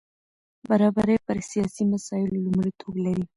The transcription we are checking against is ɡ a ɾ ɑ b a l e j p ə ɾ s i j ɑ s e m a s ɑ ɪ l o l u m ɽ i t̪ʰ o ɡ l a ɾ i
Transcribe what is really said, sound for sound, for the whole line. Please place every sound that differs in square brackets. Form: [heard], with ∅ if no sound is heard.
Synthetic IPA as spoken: [b] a ɾ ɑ b a [ɾ] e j p ə ɾ s i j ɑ s [i] m a s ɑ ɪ l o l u m ɽ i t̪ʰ o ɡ l a ɾ i

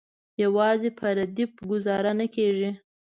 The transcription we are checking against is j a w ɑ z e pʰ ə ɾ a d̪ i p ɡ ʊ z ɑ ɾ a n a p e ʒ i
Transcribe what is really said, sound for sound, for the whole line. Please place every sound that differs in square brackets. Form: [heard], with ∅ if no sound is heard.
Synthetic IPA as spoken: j a w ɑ z e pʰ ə ɾ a d̪ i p ɡ ʊ z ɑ ɾ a n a [k] e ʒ i

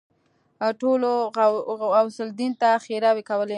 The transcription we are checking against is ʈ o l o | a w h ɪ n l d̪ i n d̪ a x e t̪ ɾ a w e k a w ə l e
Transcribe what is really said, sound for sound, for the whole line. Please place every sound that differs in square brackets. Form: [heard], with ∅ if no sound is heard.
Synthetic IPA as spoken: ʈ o l o | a w [s] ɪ [∅] l d̪ i n [t̪] a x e [∅] ɾ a w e k a w ə l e

